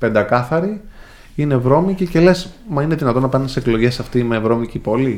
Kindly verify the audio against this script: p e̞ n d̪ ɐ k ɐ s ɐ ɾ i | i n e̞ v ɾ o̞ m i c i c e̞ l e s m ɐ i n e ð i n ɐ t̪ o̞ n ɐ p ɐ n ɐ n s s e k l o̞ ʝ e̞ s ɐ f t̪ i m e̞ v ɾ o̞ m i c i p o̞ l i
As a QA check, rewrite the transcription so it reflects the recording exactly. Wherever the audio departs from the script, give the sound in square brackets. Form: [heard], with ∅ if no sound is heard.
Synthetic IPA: p e̞ n d̪ ɐ k ɐ [θ] ɐ ɾ i | i n e̞ v ɾ o̞ m i c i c e̞ l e s m ɐ i n e ð i n ɐ t̪ o̞ n ɐ p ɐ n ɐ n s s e k l o̞ ʝ e̞ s ɐ f t̪ i m e̞ v ɾ o̞ m i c i p o̞ l i